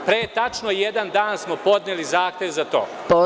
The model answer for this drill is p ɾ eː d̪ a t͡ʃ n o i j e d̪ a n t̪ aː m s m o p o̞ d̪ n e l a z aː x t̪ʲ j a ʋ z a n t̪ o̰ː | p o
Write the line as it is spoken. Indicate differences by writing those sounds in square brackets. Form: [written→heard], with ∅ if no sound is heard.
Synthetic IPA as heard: p ɾ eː [d̪→t̪] a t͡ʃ n o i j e d̪ a n [t̪→d̪] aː [m→n] s m o p o̞ d̪ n e l [a→i] z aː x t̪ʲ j [a→e] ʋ z a [n→∅] t̪ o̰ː | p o